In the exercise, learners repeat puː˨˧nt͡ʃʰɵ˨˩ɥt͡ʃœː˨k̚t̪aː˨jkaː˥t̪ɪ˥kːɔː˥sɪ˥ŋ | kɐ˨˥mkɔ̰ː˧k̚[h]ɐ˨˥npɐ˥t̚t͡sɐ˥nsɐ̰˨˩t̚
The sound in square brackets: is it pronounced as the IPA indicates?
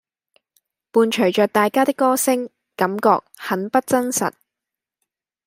yes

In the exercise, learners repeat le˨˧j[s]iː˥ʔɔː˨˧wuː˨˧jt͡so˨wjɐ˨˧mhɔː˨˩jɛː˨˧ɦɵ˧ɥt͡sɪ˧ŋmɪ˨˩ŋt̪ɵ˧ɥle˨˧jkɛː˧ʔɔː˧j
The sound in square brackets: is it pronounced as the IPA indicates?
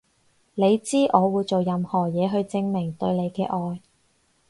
no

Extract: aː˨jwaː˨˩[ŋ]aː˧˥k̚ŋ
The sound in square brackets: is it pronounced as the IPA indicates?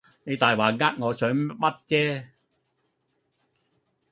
yes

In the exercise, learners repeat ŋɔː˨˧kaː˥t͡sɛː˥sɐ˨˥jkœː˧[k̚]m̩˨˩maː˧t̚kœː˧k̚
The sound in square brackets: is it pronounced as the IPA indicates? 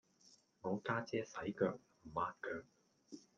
yes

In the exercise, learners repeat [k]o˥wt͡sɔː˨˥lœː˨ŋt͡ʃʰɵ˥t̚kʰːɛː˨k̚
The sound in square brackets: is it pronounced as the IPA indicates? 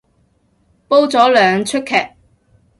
no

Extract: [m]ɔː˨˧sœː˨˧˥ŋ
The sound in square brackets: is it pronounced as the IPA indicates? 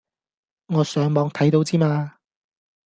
no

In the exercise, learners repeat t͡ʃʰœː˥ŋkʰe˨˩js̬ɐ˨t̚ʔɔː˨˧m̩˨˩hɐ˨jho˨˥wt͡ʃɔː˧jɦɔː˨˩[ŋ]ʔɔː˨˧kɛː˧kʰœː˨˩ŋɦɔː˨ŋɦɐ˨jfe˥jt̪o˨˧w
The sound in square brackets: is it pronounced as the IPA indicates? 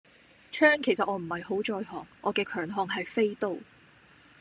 yes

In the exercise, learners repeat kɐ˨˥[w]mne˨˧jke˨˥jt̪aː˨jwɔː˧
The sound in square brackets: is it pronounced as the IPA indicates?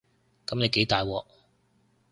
no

